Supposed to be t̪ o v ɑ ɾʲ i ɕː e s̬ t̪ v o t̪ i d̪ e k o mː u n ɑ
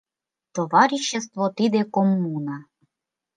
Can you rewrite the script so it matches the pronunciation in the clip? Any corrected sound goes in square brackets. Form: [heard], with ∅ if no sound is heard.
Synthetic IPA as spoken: t̪ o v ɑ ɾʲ i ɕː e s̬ t̪ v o t̪ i d̪ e k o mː u n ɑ